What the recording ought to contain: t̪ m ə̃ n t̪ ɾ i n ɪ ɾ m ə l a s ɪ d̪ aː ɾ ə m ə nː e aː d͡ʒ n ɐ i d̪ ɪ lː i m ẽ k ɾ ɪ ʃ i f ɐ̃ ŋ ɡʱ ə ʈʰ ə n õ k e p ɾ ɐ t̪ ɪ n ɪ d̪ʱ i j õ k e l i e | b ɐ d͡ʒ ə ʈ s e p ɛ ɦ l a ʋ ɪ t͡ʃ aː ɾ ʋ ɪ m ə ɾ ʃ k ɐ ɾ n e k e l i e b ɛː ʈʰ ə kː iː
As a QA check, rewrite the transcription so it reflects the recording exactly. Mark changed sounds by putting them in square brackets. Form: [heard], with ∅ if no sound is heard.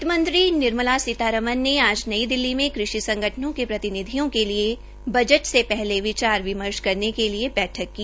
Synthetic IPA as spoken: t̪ m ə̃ n t̪ ɾ i n ɪ ɾ m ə l a s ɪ [t̪] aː ɾ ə m ə nː e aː d͡ʒ n ɐ i d̪ ɪ lː i m ẽ k ɾ ɪ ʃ i [s] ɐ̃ ŋ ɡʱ ə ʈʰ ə n õ k e p ɾ ɐ t̪ ɪ n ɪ d̪ʱ i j õ k e l i e | b ɐ d͡ʒ ə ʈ s e p ɛ ɦ l [e] ʋ ɪ t͡ʃ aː ɾ ʋ ɪ m ə ɾ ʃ k ɐ ɾ n e k e l i e b ɛː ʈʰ ə kː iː